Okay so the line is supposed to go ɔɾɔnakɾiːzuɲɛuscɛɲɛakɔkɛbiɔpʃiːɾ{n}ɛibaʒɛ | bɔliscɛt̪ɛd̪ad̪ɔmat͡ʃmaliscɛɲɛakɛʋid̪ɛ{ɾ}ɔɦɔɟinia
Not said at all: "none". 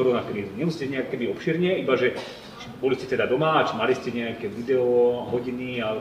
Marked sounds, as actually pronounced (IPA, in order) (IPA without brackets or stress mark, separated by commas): ɲ, none